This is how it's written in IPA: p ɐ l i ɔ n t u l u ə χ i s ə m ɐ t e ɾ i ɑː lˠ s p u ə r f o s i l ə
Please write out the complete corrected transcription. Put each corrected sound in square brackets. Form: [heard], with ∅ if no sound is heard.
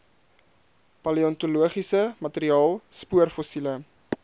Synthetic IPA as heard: p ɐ l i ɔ n t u l u ə χ i s ə m ɐ t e ɾ i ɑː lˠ s p u ə r f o s i l ə